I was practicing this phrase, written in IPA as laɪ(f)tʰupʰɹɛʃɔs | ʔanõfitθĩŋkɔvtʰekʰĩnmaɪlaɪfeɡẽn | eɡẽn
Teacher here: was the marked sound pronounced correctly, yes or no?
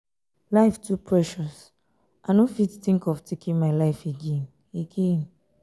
yes